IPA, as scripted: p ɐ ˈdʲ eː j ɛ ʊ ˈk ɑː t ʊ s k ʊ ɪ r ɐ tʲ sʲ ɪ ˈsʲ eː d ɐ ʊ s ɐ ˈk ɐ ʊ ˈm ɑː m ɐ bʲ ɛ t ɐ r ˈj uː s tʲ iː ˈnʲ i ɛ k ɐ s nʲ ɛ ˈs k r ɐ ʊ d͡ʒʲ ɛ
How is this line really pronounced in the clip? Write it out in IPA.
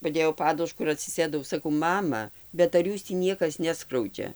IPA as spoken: p ɐ ˈdʲ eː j ɛ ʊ ˈp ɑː d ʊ ʃ k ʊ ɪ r ɐ tʲ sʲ ɪ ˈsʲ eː d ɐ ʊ s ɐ ˈk ɐ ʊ ˈm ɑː m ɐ bʲ ɛ t ɐ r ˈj uː s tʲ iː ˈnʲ i ɛ k ɐ s nʲ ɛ ˈs k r ɐ ʊ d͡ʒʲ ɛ